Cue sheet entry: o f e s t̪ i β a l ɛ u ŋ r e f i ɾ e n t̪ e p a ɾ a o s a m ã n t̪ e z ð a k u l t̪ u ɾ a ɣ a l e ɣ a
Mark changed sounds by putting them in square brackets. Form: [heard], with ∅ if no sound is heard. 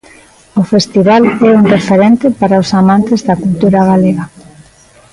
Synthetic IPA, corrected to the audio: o f e s t̪ i β a l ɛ u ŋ r e f [e] ɾ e n t̪ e p a ɾ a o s a m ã n t̪ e z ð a k u l t̪ u ɾ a ɣ a l e ɣ a